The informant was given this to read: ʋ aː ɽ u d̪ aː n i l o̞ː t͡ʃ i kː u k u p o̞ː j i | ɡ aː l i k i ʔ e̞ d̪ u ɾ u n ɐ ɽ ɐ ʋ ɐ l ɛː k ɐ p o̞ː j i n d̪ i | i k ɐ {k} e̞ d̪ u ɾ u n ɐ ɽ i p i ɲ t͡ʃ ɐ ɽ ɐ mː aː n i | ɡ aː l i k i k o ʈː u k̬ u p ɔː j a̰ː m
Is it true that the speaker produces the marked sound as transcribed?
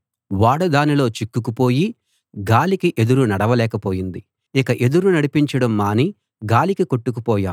no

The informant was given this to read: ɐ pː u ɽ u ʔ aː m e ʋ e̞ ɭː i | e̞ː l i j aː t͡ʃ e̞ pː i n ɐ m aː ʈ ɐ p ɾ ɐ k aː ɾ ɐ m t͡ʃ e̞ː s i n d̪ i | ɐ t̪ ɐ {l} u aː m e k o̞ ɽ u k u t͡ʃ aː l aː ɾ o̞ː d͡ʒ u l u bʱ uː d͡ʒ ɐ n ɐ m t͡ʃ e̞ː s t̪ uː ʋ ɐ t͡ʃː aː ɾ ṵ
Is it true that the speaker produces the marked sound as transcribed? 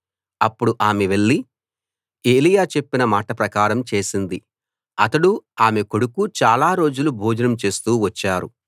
no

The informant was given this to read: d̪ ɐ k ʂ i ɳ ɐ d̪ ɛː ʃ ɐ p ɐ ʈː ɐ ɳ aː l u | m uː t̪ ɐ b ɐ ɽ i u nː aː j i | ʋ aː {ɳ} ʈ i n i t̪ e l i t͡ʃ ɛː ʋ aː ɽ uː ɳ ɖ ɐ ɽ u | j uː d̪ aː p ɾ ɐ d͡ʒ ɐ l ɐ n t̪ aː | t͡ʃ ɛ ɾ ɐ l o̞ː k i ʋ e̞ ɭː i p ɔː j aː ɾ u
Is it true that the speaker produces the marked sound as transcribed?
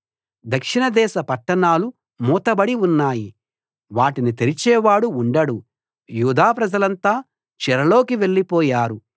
no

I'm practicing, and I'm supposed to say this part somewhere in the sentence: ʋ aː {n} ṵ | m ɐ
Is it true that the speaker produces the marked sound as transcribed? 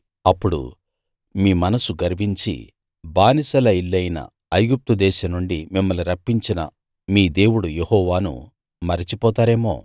yes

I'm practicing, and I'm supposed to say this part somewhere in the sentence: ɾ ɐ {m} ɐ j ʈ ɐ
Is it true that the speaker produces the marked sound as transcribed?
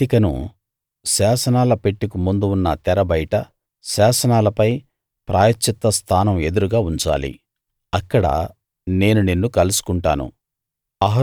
no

